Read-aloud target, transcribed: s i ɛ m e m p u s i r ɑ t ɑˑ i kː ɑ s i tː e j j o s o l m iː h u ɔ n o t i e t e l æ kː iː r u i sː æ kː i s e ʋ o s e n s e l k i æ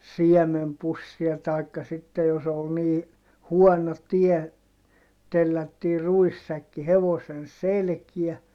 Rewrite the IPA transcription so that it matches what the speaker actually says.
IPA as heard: s i ɛ m e m p u sː i ɑ t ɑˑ i kː ɑ s i tː e j j o s o l n iː h u ɔ n o t i e t e lː æ tː iː r u i sː æ kː i h e ʋ o s e n s e l k i æ